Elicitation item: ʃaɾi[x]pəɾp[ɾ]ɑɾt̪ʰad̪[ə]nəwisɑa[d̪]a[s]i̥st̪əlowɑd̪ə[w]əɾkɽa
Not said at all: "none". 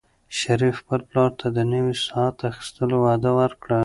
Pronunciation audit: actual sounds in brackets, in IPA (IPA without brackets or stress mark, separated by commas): f, l, ə, t̪, x, w